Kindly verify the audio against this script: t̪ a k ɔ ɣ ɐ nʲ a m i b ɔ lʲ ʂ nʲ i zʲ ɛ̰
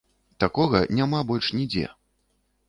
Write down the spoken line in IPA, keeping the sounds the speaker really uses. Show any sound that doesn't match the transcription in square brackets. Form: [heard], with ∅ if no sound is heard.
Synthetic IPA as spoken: t̪ a k ɔ ɣ ɐ nʲ a m [a] b ɔ lʲ ʂ nʲ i [d͡zʲ] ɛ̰